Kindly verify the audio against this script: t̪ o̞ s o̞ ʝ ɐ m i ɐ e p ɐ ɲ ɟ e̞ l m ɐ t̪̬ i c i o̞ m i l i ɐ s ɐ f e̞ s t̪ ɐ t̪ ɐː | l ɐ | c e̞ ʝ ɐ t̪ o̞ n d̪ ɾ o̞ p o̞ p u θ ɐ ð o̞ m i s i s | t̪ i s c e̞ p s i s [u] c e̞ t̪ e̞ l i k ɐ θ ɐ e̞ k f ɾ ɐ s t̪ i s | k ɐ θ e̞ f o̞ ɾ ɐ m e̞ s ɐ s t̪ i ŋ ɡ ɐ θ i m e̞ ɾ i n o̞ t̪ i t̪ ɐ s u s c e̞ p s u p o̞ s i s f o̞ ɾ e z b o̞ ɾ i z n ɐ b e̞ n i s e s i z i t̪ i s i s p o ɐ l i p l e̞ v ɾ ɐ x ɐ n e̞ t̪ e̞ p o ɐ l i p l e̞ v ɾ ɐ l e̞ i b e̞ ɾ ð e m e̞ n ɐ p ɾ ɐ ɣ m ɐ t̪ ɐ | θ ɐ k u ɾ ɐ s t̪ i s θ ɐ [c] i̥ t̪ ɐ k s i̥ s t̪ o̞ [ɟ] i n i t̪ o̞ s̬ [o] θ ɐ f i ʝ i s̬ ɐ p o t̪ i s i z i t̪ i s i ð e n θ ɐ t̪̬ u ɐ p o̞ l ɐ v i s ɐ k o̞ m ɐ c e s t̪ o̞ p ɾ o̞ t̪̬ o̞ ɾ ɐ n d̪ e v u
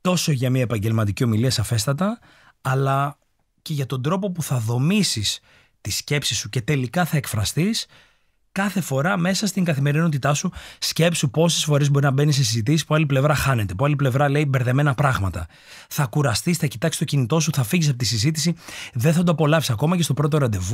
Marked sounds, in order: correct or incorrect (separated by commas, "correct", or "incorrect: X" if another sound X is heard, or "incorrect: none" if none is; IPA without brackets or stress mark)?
correct, correct, incorrect: c, incorrect: u